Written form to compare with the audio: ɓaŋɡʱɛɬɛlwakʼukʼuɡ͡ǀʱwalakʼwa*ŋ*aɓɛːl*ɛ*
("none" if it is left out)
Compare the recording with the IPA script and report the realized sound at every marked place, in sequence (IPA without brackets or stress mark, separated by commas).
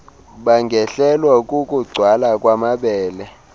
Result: m, ɛ